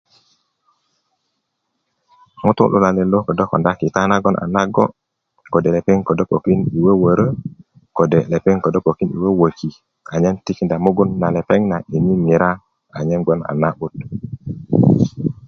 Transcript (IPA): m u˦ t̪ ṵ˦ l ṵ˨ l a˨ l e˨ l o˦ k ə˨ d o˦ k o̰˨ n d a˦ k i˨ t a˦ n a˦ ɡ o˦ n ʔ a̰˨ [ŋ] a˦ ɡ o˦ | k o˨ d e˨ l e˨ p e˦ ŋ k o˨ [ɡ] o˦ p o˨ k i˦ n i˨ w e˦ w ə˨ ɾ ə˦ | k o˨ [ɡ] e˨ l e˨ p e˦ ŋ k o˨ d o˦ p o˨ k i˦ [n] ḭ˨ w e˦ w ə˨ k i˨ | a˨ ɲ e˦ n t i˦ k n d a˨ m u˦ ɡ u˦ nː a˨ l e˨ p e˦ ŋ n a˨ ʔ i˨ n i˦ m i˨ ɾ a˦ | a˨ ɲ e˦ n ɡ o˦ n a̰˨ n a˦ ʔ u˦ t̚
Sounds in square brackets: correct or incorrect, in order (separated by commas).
incorrect, incorrect, incorrect, correct